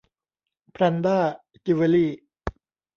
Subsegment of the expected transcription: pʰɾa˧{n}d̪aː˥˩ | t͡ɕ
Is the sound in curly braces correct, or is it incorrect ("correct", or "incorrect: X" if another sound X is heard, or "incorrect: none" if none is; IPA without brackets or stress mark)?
correct